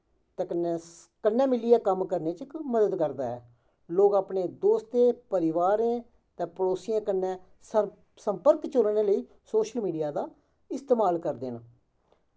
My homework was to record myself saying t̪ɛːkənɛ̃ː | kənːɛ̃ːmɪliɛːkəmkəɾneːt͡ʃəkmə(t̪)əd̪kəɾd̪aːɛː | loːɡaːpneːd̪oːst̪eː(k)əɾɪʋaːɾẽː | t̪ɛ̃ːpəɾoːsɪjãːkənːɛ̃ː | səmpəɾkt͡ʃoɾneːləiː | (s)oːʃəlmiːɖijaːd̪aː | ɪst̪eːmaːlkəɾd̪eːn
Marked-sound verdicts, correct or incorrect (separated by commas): incorrect, incorrect, correct